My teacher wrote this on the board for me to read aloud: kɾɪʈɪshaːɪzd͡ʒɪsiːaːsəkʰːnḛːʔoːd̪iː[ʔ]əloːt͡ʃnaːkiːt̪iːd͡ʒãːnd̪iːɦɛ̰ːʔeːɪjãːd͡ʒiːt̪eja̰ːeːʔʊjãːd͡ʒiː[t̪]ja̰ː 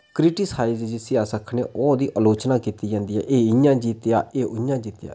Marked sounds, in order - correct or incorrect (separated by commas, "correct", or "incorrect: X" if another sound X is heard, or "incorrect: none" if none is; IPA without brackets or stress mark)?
correct, correct